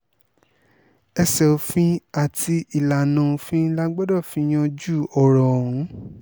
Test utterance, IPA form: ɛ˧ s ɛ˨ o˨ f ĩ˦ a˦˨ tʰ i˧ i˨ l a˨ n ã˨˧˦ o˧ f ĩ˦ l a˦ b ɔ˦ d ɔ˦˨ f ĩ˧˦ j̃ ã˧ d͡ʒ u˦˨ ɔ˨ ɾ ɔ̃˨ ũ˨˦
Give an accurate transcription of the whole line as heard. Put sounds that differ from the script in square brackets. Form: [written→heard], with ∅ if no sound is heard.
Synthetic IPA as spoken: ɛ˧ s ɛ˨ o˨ f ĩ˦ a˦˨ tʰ i˧ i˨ l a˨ n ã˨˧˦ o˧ f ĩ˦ l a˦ [b→ɡ͡b] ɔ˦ d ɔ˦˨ f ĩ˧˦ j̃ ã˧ d͡ʒ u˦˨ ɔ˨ ɾ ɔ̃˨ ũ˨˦

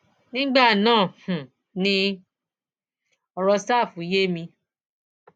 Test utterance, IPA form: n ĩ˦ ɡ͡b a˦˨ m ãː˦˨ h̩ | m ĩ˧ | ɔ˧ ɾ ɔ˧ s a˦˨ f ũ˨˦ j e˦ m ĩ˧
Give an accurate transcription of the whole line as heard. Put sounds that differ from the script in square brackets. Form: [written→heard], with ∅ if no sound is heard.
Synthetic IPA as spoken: n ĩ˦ ɡ͡b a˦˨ [m→n] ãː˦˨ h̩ | [m→n] ĩ˧ | ɔ˧ ɾ ɔ˧ s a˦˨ f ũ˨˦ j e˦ m ĩ˧

